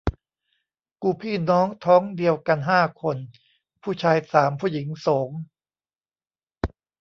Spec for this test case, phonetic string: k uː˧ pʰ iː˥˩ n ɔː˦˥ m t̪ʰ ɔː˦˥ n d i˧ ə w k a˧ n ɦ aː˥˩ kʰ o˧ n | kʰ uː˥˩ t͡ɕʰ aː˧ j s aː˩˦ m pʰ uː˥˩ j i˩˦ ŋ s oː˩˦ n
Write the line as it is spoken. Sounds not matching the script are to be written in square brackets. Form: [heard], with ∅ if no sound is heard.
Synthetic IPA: k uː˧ pʰ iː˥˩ n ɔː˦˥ [ŋ] t̪ʰ ɔː˦˥ [ŋ] d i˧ ə w k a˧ n ɦ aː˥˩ kʰ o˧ n | [pʰ] uː˥˩ t͡ɕʰ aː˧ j s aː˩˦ m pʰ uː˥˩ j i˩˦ ŋ s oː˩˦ [ŋ]